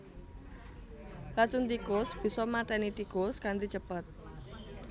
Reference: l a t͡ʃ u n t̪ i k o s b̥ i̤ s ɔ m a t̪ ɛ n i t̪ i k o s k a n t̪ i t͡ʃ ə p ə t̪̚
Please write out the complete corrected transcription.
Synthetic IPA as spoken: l a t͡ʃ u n t̪ i k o s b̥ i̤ s ɔ m a t̪ ɛ n i t̪ i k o s k a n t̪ i t͡ʃ ə p ə t̪̚